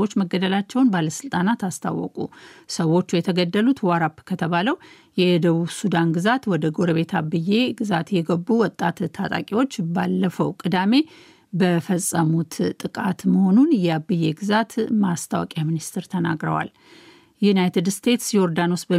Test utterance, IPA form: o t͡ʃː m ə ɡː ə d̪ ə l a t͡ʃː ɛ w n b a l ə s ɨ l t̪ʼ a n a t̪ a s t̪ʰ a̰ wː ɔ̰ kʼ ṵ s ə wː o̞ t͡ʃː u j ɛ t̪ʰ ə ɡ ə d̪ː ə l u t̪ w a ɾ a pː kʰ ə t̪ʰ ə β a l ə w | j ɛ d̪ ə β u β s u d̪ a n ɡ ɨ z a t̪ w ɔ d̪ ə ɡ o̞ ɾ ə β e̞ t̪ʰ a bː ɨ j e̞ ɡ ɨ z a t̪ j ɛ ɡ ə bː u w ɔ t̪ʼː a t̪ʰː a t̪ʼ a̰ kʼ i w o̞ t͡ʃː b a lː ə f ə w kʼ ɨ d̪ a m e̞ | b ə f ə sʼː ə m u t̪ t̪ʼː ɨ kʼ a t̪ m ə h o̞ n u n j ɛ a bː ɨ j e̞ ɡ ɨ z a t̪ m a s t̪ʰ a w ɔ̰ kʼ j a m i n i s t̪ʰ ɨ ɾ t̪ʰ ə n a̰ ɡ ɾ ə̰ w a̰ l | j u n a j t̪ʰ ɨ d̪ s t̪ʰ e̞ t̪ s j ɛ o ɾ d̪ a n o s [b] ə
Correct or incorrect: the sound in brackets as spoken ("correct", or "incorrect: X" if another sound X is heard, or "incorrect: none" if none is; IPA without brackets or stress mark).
correct